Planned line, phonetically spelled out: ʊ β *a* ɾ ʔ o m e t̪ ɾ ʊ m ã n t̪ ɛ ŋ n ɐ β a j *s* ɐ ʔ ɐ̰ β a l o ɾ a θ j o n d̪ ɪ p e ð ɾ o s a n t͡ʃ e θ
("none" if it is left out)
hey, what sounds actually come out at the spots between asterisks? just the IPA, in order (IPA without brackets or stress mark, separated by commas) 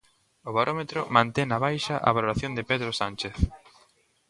a, ʃ